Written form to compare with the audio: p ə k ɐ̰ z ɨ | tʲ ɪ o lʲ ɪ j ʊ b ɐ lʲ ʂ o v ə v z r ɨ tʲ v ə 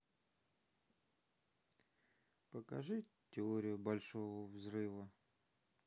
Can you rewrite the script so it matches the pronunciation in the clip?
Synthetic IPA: p ə k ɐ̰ ʐ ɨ | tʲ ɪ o ɾʲ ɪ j ʊ b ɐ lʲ ʂ o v ə v z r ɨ v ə